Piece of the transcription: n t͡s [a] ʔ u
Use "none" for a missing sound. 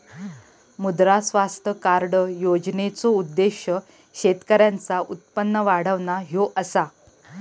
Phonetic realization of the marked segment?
a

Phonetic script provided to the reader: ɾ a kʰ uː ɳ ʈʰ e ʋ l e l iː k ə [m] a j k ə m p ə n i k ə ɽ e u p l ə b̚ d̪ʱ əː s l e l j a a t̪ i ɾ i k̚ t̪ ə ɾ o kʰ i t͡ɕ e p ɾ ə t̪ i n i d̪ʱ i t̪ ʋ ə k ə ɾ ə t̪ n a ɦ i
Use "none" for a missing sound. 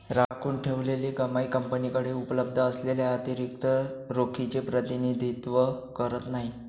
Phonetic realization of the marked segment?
m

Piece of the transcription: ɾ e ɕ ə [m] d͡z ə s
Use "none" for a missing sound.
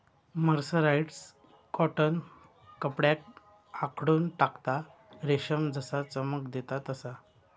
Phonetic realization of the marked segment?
m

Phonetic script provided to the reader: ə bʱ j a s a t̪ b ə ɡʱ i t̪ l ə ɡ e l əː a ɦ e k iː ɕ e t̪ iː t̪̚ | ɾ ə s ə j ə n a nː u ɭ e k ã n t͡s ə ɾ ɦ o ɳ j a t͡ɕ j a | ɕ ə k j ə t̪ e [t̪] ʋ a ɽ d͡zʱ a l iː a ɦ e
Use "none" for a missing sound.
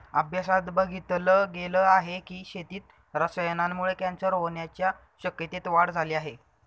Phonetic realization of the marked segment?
t̪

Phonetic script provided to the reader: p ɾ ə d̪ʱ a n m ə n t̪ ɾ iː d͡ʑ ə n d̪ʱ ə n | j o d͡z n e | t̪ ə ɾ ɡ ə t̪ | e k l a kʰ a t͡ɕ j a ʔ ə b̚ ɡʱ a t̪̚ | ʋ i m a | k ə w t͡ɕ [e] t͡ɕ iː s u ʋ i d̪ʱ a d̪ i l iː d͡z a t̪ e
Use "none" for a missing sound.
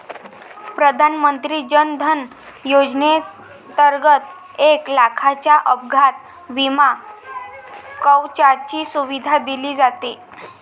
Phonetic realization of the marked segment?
a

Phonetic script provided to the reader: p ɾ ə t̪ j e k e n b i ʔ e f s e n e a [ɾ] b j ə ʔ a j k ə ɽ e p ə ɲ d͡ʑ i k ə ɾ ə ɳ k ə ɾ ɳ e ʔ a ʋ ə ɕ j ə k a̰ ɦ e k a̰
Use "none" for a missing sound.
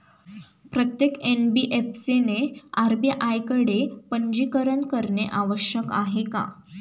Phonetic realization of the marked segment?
ɾ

